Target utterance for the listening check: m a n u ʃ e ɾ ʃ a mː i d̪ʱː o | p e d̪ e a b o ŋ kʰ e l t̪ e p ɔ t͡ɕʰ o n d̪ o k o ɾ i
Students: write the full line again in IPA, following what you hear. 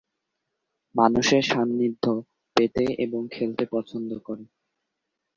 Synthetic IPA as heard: m a n u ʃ e ɾ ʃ a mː i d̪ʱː o | p e t̪ e e b o ŋ kʰ e l t̪ e p ɔ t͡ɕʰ o n d̪ o k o ɾ e